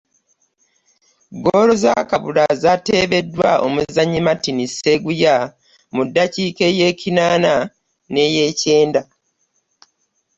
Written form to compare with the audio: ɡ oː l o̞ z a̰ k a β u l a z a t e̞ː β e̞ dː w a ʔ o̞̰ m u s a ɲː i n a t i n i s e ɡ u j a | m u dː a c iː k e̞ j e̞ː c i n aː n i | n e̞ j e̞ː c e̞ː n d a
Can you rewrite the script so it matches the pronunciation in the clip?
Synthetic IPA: ɡ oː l o̞ z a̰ k a β u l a z a t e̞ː β e̞ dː w a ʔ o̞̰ m u z a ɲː i m a t i n i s e ɡ u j a | m u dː a c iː k e̞ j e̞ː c i n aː n a | n e̞ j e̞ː c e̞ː n d a

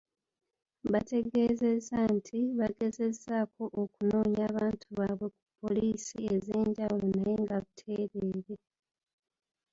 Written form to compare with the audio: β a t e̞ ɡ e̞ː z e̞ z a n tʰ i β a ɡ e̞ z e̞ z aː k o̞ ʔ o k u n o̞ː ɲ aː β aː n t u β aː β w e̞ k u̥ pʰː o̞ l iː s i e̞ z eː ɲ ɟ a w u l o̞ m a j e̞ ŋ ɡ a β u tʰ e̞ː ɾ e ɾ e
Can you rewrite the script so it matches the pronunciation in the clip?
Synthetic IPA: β a t e̞ ɡ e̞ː z e̞ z a n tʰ i β a ɡ e̞ z e̞ z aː k o̞ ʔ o k u n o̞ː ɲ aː β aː n t u β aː β w e̞ k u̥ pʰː o̞ l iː s i e̞ z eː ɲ ɟ a w u l o̞ n a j e̞ ŋ ɡ a β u tʰ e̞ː ɾ e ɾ e

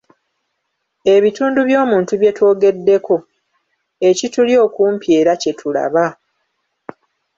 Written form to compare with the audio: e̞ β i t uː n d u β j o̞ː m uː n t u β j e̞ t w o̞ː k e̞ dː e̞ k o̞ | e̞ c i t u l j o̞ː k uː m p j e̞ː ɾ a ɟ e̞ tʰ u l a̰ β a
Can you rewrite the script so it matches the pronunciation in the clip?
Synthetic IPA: e̞ β i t uː n d u β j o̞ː m uː n t u β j e̞ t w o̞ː ɡ e̞ dː e̞ k o̞ | e̞ c i t u l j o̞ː k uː m p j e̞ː ɾ a c e̞ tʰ u l a̰ β a

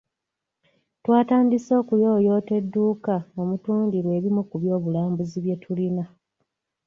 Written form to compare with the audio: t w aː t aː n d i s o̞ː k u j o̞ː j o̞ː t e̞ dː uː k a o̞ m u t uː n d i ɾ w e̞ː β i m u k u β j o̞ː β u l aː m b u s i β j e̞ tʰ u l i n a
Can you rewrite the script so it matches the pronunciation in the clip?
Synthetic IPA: t w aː t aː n d i s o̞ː k u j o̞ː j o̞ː t e̞ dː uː k a o̞ m u t uː n d i ɾ w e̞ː β i m u k u β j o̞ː β u l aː m b u z i β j e̞ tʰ u l i n a

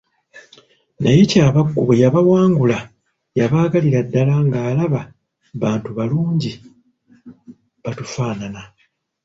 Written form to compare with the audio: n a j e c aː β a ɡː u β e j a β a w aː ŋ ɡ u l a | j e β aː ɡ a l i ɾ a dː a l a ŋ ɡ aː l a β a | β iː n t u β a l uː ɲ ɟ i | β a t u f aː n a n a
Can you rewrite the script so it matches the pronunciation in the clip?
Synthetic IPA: n a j e c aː β a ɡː u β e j a β a w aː ŋ ɡ u l a | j a β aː ɡ a l i ɾ a dː a l a ŋ ɡ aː l a β a | β aː n t u β a l uː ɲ ɟ i | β a t u f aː n a n a

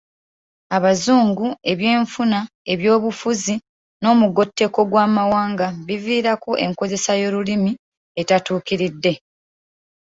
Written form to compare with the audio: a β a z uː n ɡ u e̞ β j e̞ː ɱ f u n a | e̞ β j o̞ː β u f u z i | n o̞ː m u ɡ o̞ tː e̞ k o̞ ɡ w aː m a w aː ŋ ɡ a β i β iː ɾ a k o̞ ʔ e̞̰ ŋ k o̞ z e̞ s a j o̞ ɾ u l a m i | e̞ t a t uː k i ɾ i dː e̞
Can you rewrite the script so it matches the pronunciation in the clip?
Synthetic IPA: a β a z uː ŋ ɡ u e̞ β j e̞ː ɱ f u n a | e̞ β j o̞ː β u f u z i | n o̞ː m u ɡ o̞ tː e̞ k o̞ ɡ w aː m a w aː ŋ ɡ a β i v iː ɾ a k o̞ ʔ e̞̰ ŋ k o̞ z e̞ s a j o̞ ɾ u l i m i | e̞ t a t uː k i ɾ i dː e̞

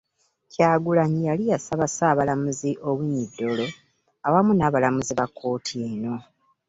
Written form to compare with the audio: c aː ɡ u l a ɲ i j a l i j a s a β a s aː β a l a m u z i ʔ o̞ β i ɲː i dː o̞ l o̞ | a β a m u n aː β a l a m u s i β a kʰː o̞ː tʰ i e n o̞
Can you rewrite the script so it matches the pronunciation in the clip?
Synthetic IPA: c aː ɡ u l a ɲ i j a l i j a s a β a s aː β a l a m u z i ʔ o̞ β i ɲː i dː o̞ l o̞ | a w a m u n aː β a l a m u z i β a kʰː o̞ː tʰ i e n o̞

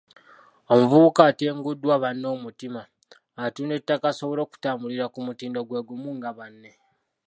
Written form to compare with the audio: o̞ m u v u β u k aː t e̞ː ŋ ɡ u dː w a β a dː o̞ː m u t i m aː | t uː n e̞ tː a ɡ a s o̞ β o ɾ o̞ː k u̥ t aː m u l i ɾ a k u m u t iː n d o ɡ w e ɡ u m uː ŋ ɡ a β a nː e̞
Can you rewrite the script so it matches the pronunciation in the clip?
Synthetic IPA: o̞ m u v u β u k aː t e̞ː ŋ ɡ u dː w a β a nː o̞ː m u t i m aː | t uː n e̞ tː a k a s o̞ β o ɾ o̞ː k u̥ t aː m u l i ɾ a k u m u t iː n d o ɡ w e ɡ u m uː ŋ ɡ a β a nː e̞

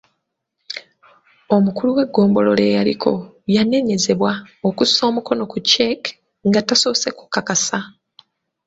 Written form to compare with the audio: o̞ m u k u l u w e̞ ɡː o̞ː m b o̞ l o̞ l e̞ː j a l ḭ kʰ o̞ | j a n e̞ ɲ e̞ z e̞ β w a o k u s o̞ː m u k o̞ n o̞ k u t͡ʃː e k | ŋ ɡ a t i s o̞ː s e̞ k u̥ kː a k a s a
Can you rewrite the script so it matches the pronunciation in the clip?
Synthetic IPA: o̞ m u k u l u w e̞ ɡː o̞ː m b o̞ l o̞ l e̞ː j a l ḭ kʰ o̞ | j a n e̞ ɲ e̞ z e̞ β w a o k u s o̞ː m u k o̞ n o̞ k u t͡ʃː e k | ŋ ɡ a t a s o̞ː s e̞ k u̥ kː a k a s a

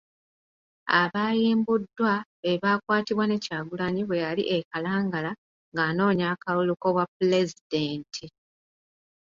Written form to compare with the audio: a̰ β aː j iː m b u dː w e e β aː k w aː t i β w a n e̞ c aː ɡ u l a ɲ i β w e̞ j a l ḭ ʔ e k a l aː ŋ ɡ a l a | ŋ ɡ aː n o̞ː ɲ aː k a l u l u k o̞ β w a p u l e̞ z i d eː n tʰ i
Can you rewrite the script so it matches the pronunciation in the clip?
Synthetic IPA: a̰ β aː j iː m b u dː w a e β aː k w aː t i β w a n e̞ c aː ɡ u l a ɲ i β w e̞ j a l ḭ ʔ e k a l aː ŋ ɡ a l a | ŋ ɡ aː n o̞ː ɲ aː k a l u l u k o̞ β w a p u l e̞ z i d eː n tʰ i

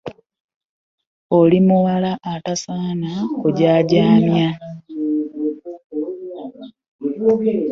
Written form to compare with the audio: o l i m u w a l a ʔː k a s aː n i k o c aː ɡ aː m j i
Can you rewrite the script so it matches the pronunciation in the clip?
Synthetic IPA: o l i m u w a l a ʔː t a s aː n a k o ɟ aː ɟ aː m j a

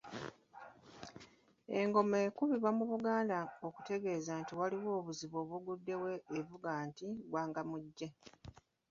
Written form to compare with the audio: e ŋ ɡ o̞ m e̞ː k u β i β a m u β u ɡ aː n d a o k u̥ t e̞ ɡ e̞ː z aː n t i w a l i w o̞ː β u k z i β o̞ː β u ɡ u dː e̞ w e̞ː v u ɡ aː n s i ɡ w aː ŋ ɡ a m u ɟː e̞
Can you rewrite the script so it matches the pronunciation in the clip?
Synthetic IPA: e ŋ ɡ o̞ m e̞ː k u β i β a m u β u ɡ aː n d a o k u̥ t e̞ ɡ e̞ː z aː n t i w a l i w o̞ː β u z i β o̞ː β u ɡ u dː e̞ w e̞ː v u ɡ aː n t i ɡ w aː ŋ ɡ a m u ɟː e̞

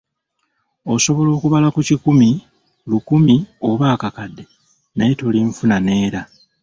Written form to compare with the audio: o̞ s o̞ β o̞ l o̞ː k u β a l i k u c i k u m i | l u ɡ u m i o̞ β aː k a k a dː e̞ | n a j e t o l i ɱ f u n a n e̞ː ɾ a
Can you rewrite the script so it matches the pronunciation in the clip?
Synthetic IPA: o̞ s o̞ β o̞ l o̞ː k u β a l a k u c i k u m i | l u k u m i o̞ β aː k a k a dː e̞ | n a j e t o l i ɱ f u n a n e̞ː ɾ a

